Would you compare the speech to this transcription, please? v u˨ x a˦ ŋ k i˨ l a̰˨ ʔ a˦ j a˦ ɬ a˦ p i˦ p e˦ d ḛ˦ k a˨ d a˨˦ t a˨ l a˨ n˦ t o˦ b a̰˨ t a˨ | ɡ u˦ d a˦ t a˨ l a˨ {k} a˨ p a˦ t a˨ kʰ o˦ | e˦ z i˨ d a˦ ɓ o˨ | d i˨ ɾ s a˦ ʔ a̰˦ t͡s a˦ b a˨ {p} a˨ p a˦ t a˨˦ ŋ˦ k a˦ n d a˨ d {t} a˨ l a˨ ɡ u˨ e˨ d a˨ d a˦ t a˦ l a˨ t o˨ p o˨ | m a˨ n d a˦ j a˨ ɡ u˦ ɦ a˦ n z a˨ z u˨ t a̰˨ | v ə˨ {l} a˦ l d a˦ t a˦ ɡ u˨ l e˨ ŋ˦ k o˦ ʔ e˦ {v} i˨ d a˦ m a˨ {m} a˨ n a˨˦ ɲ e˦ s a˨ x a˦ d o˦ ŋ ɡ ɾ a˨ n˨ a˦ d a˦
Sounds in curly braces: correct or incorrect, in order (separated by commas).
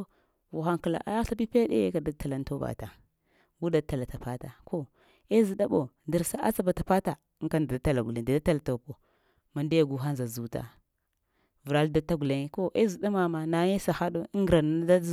incorrect, incorrect, correct, incorrect, incorrect, correct